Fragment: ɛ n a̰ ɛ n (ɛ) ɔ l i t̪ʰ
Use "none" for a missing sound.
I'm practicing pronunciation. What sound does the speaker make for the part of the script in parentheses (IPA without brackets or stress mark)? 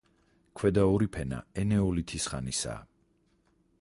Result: ɛ